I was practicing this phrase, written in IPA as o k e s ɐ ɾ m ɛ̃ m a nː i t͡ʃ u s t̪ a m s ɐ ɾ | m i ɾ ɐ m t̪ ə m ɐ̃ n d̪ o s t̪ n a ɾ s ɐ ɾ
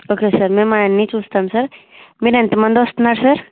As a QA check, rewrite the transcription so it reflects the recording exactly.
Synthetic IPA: o k e s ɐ ɾ m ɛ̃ m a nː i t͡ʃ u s t̪ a m s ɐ ɾ | m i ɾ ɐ n t̪ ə m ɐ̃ n d̪ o s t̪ n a ɾ s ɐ ɾ